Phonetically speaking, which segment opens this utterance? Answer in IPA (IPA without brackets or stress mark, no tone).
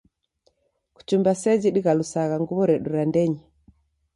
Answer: k